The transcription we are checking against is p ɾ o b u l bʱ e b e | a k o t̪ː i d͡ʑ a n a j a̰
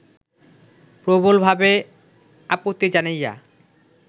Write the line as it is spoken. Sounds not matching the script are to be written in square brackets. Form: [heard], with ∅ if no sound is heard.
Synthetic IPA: p ɾ o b [o] l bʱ [a] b e | a [p] o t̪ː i d͡ʑ a n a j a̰